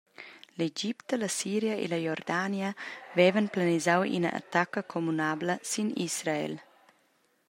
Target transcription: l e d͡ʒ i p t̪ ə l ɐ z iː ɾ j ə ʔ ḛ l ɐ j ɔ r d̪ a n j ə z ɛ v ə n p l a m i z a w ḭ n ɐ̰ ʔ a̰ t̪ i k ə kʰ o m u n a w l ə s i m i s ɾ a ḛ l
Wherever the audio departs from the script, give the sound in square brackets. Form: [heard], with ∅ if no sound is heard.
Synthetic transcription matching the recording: l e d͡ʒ i p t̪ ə l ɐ [s] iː ɾ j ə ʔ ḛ l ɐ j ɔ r d̪ a n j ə [v] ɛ v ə n p l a [n] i z a w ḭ n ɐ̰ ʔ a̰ t̪ [a] k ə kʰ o m u n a [b] l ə s i [n] i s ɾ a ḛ l